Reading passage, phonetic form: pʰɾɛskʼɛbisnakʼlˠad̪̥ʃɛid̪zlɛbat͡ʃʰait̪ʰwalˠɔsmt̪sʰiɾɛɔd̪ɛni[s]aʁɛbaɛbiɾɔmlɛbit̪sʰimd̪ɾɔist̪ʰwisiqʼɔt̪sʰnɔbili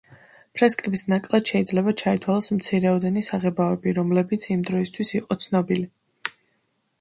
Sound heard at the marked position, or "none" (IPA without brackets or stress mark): s